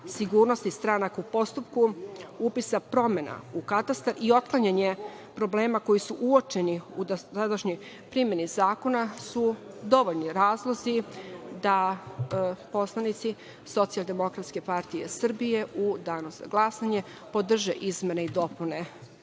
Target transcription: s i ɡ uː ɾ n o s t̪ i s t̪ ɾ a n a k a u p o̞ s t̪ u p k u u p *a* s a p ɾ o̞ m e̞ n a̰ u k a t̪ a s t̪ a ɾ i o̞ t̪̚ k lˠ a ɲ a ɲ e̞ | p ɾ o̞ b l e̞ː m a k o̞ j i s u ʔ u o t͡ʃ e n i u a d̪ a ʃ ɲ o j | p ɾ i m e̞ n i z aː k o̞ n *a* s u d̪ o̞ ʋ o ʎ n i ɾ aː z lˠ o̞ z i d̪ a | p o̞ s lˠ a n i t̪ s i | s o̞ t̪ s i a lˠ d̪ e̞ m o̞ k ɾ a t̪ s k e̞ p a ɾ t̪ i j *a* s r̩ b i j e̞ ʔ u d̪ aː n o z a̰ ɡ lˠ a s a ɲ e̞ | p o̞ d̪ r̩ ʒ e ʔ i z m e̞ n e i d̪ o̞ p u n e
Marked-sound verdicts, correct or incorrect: incorrect: i, correct, incorrect: e

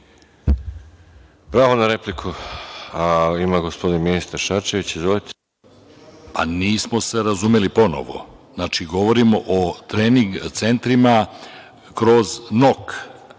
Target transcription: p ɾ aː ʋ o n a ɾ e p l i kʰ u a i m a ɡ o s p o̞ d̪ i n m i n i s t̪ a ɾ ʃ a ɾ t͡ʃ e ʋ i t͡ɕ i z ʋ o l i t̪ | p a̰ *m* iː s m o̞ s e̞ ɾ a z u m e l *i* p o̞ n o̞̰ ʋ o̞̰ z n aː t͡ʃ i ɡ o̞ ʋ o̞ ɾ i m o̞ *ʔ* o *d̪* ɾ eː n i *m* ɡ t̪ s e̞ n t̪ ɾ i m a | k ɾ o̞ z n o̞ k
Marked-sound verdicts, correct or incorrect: incorrect: n, correct, correct, incorrect: t̪, incorrect: ŋ

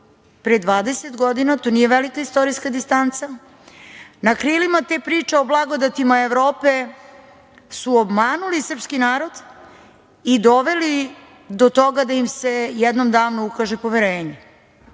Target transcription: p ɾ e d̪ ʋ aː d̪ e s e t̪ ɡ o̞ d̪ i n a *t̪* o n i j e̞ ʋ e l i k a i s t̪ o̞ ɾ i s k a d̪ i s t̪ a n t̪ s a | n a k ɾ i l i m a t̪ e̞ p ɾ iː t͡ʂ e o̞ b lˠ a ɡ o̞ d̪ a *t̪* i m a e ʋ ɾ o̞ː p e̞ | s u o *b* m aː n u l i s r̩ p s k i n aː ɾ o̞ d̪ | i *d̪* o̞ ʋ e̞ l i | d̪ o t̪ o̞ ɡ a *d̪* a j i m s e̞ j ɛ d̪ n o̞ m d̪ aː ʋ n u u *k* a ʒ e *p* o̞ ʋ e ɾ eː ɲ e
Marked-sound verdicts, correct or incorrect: correct, correct, correct, correct, correct, correct, correct

